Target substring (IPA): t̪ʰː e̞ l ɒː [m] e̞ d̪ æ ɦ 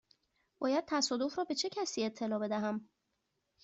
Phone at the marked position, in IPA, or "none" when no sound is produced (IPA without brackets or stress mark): b